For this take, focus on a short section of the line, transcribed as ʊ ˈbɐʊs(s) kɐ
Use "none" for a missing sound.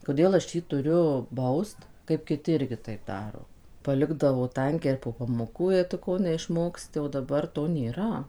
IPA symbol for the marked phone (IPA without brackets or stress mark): t